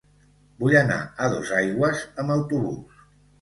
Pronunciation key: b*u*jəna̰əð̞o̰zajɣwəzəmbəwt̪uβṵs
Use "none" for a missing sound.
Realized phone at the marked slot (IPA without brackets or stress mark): u